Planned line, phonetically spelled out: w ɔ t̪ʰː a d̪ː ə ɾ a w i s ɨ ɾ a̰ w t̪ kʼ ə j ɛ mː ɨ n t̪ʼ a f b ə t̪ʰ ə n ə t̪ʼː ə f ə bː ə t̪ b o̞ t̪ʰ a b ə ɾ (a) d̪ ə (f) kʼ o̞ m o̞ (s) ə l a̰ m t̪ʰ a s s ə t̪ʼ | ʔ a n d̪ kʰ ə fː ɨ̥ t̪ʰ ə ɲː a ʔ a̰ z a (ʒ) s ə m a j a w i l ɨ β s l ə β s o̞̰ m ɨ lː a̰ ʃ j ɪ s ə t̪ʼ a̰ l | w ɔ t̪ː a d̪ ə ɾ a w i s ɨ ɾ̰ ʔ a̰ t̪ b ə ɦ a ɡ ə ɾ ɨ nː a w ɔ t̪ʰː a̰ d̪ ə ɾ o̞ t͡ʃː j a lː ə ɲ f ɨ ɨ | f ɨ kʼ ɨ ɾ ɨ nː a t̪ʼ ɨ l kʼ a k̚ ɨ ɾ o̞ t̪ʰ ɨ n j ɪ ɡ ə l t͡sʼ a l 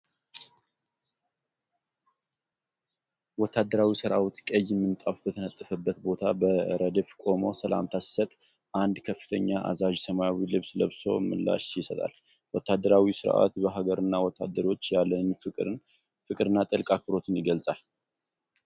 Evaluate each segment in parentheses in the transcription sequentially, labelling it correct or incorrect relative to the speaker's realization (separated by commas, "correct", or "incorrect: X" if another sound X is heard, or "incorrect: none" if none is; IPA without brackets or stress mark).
incorrect: ə, correct, correct, correct